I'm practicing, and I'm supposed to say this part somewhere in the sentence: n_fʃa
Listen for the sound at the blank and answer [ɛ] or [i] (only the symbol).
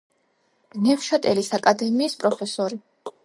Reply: ɛ